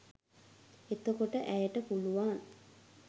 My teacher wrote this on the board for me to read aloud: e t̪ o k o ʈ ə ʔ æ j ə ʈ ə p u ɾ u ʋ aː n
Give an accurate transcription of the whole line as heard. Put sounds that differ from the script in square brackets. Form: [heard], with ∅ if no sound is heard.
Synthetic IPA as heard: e t̪ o k o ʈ ə ʔ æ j ə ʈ ə p u [l] u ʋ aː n